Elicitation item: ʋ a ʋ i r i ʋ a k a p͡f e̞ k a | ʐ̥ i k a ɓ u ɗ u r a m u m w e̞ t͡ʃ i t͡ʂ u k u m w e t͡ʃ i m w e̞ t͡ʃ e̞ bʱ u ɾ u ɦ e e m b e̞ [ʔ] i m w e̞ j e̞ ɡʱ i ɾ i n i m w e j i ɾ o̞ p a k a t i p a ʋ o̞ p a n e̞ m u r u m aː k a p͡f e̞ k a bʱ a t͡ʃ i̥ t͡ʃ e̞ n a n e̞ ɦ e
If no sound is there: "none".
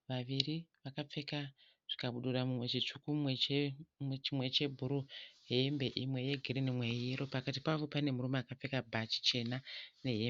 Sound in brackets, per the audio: ʔ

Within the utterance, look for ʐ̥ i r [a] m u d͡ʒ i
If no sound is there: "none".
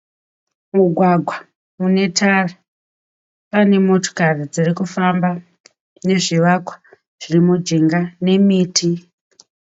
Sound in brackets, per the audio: i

